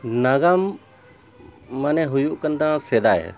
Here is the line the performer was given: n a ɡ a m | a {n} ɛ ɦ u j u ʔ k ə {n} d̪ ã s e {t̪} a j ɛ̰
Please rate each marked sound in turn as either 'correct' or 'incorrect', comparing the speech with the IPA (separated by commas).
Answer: correct, correct, incorrect